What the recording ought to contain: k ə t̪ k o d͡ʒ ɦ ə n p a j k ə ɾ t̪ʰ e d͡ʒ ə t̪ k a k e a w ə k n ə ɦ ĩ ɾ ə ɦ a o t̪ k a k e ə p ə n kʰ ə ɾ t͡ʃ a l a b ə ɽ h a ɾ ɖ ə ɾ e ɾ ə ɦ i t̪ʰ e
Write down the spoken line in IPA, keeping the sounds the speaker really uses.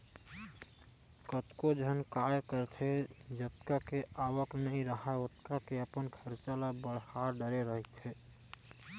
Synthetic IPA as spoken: k ə t̪ k o d͡ʒ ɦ ə n k a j k ə ɾ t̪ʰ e d͡ʒ ə t̪ k a k e a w ə k n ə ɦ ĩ ɾ ə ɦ a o t̪ k a k e ə p ə n kʰ ə ɾ t͡ʃ a l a b ə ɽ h a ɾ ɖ ə ɾ e ɾ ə ɦ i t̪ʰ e